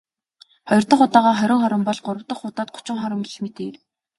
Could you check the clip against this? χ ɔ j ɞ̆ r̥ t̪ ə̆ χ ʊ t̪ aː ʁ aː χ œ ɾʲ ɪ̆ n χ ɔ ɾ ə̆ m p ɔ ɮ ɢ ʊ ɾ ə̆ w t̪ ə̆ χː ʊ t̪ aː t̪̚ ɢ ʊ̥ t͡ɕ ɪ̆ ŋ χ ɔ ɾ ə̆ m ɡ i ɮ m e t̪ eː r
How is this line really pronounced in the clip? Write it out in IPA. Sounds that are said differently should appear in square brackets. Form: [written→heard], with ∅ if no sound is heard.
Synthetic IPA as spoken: χ ɔ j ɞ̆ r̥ t̪ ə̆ χ ʊ t̪ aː ʁ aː χ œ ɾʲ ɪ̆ [n→ŋ] χ ɔ ɾ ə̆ m p ɔ ɮ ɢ ʊ ɾ ə̆ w t̪ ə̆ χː ʊ t̪ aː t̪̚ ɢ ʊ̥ t͡ɕ ɪ̆ ŋ χ ɔ ɾ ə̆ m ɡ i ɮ m e t̪ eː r